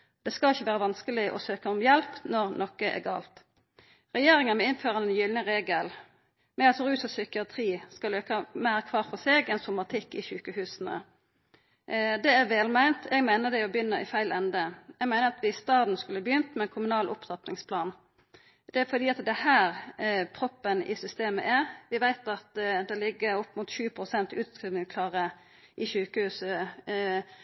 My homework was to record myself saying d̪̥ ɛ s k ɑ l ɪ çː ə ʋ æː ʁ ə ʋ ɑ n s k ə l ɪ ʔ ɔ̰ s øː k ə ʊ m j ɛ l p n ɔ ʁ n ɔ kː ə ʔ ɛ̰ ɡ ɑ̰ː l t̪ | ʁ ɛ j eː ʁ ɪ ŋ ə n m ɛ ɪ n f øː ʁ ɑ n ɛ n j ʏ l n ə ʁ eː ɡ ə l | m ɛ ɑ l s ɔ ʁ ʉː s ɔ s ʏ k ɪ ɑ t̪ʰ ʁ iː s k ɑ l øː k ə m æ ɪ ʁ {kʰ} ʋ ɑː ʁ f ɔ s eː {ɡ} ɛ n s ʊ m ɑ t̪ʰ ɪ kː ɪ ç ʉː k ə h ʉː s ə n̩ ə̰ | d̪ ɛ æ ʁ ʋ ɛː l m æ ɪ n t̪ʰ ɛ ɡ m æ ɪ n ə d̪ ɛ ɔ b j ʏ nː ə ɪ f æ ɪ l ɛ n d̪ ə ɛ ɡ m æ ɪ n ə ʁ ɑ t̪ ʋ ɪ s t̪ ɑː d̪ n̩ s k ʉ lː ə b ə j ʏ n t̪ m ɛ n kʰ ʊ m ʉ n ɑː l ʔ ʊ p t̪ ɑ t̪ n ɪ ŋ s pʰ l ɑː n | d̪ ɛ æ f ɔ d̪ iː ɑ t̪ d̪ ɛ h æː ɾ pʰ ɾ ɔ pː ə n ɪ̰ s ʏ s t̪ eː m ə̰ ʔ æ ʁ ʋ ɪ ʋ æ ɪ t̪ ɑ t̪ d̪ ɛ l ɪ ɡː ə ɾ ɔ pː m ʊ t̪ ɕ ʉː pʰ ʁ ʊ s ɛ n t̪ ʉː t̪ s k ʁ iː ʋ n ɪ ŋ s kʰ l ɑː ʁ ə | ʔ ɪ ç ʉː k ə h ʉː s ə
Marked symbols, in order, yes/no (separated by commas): yes, yes